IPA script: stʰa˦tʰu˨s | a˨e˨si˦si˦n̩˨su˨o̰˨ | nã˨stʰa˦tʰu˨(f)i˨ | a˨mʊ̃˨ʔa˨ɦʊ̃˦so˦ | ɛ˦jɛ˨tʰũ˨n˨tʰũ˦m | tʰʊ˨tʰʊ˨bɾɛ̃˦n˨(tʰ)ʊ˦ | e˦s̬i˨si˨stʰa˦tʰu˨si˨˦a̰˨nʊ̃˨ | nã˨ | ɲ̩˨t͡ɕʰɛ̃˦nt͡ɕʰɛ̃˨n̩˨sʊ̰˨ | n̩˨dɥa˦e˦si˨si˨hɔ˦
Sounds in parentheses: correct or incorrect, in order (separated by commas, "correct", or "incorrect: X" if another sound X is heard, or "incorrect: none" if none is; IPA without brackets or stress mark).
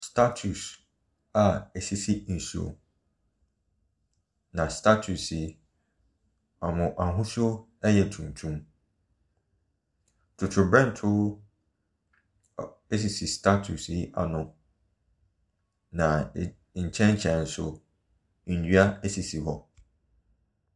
incorrect: s, correct